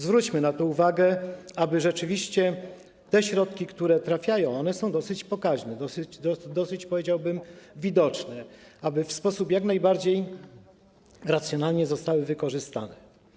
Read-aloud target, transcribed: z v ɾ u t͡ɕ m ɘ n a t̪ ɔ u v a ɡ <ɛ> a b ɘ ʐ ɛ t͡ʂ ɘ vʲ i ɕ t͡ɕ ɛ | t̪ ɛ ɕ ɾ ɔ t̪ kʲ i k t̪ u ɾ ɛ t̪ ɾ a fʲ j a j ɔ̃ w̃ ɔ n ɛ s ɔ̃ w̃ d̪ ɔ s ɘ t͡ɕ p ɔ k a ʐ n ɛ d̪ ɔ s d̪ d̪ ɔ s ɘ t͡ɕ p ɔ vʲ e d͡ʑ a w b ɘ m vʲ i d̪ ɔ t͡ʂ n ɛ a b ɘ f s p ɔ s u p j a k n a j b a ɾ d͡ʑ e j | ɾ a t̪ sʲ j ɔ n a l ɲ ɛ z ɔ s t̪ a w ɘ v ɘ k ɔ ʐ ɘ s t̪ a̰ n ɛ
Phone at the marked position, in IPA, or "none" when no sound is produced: ɛ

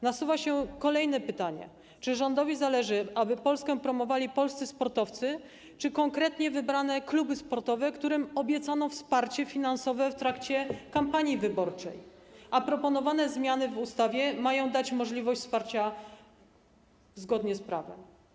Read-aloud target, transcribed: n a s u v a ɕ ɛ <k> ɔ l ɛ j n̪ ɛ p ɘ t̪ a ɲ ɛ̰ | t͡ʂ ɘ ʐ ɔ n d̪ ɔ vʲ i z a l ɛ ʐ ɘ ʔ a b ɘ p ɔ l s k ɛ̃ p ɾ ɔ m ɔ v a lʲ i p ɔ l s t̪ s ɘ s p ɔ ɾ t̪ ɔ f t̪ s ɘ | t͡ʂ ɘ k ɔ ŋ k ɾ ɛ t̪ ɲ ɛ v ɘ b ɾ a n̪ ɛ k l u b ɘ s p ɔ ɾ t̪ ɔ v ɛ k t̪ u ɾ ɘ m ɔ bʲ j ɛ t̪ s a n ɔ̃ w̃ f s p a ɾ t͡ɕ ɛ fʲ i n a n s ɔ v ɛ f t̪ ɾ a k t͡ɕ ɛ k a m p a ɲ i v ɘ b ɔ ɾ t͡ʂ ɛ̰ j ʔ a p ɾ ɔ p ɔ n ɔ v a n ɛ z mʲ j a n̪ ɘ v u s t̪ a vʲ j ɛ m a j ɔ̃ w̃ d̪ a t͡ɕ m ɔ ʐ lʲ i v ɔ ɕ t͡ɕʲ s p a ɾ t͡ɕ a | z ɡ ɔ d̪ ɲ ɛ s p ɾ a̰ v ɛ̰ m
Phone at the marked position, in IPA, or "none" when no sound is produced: k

